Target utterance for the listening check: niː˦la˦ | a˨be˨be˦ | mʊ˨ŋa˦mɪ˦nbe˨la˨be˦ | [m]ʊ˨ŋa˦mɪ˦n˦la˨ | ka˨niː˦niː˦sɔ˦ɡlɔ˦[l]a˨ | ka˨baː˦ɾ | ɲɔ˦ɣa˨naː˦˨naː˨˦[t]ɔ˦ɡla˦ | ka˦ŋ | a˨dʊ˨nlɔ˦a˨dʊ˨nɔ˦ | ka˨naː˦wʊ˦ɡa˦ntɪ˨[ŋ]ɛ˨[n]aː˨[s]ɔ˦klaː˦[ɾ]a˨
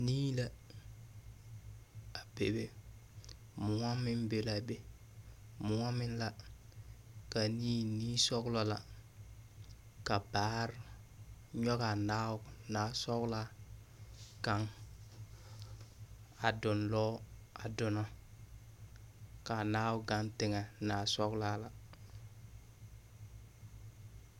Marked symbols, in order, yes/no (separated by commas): yes, yes, no, yes, yes, yes, no